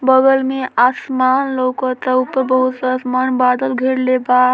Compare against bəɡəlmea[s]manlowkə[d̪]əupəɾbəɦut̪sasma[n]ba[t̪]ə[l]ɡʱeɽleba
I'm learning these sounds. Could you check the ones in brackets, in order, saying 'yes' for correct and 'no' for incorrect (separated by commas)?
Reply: yes, no, yes, no, yes